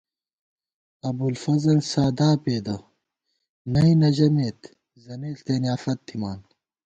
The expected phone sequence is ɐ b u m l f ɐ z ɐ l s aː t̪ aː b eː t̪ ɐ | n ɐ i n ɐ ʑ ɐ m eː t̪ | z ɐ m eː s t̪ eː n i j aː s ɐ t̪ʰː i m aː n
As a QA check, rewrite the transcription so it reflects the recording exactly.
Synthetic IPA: ɐ b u l f ɐ z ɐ l s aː d̪ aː p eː d̪ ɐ | n ɐ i n ɐ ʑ ɐ m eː t̪ | z ɐ n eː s t̪ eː n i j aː f ɐ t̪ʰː i m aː n